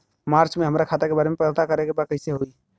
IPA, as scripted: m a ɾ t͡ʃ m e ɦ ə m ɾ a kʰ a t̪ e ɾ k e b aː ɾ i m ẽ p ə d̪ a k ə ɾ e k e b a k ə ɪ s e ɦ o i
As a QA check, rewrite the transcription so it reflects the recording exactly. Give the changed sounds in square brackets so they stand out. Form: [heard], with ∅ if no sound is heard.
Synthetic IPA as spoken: m a ɾ t͡ʃ m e ɦ ə m ɾ a kʰ a t̪ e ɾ k e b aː ɾ [e] m [e] p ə [t̪] a k ə ɾ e k e b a k ə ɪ s e ɦ o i

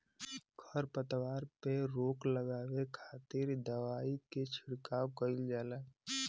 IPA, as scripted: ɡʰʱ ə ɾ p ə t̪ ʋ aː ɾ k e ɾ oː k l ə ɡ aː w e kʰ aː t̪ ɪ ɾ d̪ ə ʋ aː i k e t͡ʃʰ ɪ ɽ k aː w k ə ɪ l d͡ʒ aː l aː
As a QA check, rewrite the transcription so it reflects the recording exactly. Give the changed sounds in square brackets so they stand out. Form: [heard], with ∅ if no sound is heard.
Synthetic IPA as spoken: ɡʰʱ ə ɾ p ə t̪ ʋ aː ɾ [p] e ɾ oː k l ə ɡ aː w e kʰ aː t̪ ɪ ɾ d̪ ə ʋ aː i k e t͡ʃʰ ɪ ɽ k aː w k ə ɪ l d͡ʒ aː l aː

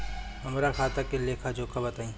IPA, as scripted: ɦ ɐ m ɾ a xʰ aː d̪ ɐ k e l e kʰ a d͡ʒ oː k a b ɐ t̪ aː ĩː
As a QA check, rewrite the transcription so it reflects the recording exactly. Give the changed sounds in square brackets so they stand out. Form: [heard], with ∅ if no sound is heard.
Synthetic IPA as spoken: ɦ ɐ m ɾ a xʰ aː [t̪] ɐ k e l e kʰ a d͡ʒ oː k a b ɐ t̪ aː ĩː

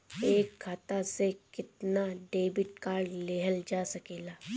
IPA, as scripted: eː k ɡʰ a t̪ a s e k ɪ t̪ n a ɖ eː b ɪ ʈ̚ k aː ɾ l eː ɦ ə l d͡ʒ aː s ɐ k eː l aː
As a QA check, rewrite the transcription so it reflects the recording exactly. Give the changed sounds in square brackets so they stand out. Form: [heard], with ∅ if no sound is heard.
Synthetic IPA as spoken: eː k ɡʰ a t̪ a s e k ɪ t̪ n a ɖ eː b ɪ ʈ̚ k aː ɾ l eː ɦ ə l d͡ʒ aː s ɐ k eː l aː

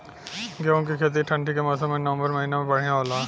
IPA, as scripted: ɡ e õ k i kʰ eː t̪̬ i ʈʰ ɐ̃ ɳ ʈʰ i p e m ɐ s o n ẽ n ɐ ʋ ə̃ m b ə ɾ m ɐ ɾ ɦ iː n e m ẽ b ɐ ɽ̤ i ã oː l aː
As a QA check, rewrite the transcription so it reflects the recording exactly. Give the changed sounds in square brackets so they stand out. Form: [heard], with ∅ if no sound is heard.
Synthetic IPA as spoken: ɡ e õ k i kʰ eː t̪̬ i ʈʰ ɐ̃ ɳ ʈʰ i [k] e m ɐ s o [m] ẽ n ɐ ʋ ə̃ m b ə ɾ m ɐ [∅] ɦ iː n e m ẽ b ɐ ɽ̤ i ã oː l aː

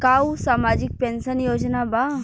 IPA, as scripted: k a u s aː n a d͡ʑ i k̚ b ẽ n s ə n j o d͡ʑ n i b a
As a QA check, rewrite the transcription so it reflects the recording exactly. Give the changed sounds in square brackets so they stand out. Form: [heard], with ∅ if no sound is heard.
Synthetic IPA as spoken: k a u s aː [m] a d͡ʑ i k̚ [p] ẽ n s ə n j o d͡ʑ n [a] b a

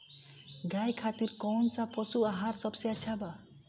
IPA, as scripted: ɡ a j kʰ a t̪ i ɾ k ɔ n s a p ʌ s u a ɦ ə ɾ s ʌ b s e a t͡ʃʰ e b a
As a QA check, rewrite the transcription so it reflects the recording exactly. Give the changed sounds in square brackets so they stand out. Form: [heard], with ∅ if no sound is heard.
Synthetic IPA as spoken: ɡ a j kʰ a t̪ i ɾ k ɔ n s a p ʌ s u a ɦ [a] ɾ s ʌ b s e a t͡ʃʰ [a] b a

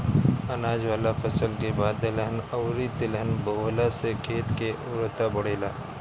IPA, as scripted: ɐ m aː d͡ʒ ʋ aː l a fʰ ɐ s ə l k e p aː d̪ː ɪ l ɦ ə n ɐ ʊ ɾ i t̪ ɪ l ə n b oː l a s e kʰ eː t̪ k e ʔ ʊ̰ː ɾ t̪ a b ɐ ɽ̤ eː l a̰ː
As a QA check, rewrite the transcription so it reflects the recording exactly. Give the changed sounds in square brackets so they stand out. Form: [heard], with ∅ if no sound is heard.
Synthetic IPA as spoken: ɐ [n] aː d͡ʒ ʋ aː l a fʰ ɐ s ə l k e [b] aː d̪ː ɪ l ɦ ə n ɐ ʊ ɾ i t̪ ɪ l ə n b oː l a s e kʰ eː t̪ k e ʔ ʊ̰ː ɾ t̪ a b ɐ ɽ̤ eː l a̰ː

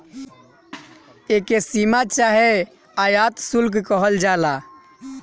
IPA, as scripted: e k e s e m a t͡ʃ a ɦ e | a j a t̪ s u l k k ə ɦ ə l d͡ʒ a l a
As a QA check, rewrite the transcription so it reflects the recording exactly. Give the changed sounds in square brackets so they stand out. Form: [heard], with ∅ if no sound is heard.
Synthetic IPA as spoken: e k e s [i] m a t͡ʃ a ɦ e | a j a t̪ s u l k k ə ɦ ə l d͡ʒ a l a

